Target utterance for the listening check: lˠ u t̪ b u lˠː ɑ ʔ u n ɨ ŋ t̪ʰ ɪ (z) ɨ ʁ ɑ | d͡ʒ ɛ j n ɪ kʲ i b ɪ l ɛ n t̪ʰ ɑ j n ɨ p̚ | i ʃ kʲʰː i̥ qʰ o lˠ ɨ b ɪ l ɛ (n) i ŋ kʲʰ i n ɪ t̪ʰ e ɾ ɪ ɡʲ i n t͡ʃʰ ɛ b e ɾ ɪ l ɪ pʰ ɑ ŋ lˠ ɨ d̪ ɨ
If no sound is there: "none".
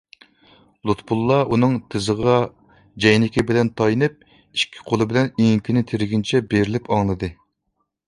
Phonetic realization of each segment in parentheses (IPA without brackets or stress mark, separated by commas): z, n